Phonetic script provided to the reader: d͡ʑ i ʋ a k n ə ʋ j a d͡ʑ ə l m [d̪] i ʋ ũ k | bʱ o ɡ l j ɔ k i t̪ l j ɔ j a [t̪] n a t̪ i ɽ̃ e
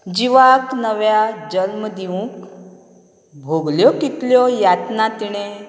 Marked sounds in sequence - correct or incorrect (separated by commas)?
correct, correct